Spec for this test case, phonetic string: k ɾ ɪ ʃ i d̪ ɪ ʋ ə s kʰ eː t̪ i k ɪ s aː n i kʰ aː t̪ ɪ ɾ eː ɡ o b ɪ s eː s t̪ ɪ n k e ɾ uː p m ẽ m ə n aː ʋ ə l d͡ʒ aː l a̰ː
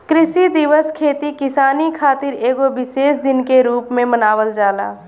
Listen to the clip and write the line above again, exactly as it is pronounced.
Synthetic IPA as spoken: k ɾ ɪ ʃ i d̪ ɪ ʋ ə s kʰ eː t̪ i k ɪ s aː n i kʰ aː t̪ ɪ ɾ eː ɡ o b ɪ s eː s d̪ ɪ n k e ɾ uː p m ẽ m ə n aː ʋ ə l d͡ʒ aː l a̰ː